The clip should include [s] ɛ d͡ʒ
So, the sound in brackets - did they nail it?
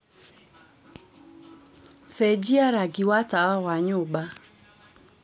yes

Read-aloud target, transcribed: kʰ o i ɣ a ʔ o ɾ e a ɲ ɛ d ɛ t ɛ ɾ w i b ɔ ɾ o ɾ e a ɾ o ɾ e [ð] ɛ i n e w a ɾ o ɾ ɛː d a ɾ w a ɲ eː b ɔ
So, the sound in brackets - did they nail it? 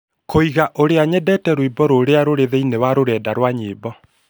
yes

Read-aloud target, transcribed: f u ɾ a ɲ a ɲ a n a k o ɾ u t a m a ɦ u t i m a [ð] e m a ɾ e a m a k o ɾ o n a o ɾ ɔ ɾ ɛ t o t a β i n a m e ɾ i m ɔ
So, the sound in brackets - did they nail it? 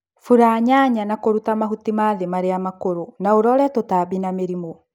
yes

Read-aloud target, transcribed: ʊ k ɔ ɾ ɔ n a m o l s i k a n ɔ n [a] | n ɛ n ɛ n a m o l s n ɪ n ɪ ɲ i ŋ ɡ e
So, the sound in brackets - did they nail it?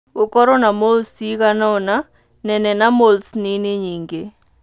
yes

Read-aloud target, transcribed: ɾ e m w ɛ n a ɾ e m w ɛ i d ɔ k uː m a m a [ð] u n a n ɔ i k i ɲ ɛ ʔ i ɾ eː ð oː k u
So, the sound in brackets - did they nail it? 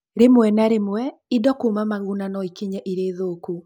no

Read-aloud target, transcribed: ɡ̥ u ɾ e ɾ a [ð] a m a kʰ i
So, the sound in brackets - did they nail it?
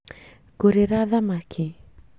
yes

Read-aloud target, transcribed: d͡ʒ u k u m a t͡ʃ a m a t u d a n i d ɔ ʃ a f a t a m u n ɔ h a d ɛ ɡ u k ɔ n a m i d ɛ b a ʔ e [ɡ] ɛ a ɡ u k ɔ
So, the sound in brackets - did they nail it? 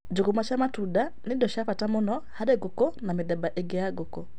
yes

